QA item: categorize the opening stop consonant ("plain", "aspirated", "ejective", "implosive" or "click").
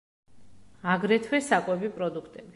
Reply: plain